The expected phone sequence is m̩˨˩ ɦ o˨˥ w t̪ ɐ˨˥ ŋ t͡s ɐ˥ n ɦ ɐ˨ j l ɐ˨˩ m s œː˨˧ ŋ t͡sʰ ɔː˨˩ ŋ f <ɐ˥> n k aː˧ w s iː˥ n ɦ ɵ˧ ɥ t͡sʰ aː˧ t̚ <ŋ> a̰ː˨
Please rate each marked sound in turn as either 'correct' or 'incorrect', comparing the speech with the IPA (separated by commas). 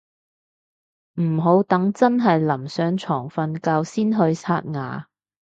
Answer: incorrect, correct